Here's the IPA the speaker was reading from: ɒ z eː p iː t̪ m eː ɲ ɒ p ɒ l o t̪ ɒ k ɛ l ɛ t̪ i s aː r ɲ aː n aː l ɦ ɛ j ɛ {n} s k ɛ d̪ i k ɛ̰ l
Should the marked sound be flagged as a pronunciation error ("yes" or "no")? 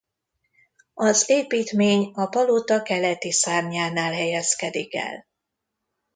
yes